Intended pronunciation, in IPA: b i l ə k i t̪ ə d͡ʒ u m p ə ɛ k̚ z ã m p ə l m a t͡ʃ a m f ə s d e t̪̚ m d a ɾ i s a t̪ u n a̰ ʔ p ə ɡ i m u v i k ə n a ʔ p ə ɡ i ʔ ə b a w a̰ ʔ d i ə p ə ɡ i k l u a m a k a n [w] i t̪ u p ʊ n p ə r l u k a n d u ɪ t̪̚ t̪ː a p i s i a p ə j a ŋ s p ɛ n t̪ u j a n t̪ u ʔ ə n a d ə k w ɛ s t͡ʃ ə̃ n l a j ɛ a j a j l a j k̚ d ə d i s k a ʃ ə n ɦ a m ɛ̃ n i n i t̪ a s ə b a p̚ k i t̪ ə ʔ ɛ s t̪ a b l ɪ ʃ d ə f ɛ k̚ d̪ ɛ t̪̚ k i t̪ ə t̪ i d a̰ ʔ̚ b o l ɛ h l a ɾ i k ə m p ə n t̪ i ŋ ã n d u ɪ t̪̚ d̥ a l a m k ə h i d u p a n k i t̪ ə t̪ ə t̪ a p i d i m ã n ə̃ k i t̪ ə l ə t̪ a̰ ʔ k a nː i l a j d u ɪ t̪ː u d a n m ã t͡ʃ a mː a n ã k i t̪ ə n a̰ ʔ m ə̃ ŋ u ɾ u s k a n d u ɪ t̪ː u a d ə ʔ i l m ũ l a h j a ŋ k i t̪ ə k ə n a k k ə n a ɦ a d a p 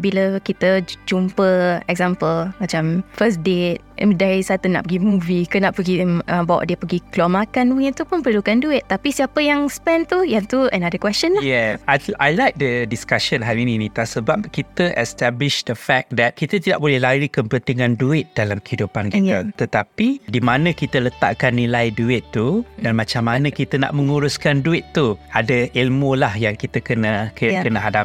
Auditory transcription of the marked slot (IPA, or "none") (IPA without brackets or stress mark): w